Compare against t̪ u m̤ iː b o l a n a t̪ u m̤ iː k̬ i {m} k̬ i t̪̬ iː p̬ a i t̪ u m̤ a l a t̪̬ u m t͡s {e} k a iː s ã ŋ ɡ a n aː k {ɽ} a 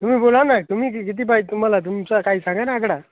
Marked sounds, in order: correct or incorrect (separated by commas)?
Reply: incorrect, incorrect, correct